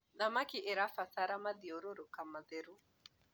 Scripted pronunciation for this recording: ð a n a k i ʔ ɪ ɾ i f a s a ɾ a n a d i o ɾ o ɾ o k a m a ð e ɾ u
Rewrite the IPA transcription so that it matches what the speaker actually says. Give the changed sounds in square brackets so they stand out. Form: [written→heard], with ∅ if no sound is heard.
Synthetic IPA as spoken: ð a [n→m] a k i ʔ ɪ ɾ [i→a] f a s a ɾ a [n→m] a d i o ɾ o ɾ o k a m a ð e ɾ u